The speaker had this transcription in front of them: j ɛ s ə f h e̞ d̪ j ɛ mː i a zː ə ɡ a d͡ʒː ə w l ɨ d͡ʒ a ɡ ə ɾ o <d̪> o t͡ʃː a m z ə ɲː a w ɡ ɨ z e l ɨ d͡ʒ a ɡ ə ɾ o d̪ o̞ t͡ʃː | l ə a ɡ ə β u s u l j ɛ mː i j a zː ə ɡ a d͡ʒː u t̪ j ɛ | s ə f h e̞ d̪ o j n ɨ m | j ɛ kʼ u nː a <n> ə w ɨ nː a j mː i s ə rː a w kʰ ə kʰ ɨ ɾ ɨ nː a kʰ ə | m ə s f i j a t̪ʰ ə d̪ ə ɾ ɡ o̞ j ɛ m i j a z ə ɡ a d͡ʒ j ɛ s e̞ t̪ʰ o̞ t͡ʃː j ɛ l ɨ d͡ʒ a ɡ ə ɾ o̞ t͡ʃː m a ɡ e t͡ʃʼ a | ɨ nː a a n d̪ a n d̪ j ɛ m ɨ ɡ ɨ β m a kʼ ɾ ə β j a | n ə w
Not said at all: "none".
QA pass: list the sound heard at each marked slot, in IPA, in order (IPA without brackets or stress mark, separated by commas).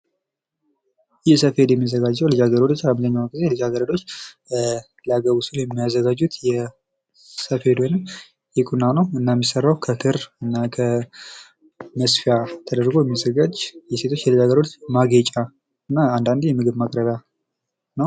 d̪, n